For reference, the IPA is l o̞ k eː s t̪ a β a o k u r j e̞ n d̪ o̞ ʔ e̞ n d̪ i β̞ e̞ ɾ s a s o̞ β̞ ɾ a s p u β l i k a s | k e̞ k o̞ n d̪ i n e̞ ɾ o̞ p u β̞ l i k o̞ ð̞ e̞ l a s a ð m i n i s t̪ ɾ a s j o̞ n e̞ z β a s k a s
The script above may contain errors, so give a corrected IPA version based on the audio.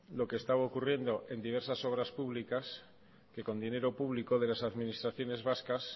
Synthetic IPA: l o̞ k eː s t̪ a β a o k u r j e̞ n d̪ o̞ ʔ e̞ n d̪ i β̞ e̞ ɾ s a s o̞ β̞ ɾ a s p u β l i k a s | k e̞ k o̞ n d̪ i n e̞ ɾ o̞ p u β̞ l i k o̞ ð̞ e̞ l a s a ð m i n i s t̪ ɾ a θ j o̞ n e̞ z β a s k a s